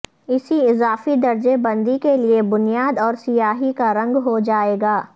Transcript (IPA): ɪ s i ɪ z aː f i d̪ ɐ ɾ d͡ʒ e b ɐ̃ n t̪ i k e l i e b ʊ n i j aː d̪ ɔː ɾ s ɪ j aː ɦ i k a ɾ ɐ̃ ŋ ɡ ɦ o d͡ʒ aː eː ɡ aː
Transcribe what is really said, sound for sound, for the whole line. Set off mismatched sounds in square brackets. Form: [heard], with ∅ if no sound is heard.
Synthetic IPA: ɪ s i ɪ z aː f i d̪ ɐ ɾ d͡ʒ e b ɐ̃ n [d̪] i k e l i e b ʊ n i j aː d̪ ɔː ɾ s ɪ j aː ɦ i k a ɾ ɐ̃ ŋ ɡ ɦ o d͡ʒ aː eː ɡ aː